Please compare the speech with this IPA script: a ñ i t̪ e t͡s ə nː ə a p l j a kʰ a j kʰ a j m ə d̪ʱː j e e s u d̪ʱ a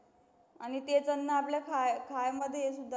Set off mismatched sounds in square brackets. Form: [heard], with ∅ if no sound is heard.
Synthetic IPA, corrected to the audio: a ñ i t̪ e t͡s ə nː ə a p l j a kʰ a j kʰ a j m ə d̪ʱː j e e s u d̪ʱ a